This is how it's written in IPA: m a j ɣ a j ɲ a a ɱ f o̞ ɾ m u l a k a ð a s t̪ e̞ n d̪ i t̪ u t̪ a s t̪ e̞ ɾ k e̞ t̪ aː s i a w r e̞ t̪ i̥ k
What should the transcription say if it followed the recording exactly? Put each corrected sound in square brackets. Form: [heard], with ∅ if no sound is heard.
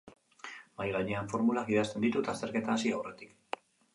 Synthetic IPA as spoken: m a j ɣ a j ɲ [e] a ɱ f o̞ ɾ m u l a k [i] ð a s t̪ e̞ n d̪ i t̪ u t̪ a s t̪ e̞ ɾ k e̞ t̪ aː s i a w r e̞ t̪ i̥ k

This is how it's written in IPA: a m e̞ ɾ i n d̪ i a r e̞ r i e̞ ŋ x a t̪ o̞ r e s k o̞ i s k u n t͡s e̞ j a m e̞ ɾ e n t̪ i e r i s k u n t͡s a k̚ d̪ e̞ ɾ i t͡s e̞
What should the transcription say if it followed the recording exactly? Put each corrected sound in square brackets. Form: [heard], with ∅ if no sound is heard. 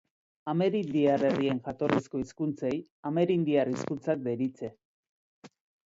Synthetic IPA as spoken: a m e̞ ɾ i n d̪ i a r e̞ r i e̞ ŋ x a t̪ o̞ r [i] s k o̞ i s k u n t͡s e̞ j a m e̞ ɾ [i] n [d̪] i [a] r i s k u n t͡s a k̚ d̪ e̞ ɾ i t͡s e̞

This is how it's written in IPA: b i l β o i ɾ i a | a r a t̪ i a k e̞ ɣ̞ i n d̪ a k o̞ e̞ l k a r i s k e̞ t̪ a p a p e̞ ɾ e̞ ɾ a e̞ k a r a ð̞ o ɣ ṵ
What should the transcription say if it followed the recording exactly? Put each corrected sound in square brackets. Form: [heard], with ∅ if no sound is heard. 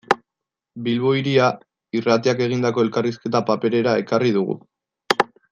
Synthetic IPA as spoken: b i l β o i ɾ i a | [i] r a t̪ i a k e̞ ɣ̞ i n d̪ a k o̞ e̞ l k a r i s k e̞ t̪ a p a p e̞ ɾ e̞ ɾ a e̞ k a r [i] ð̞ [u] ɣ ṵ

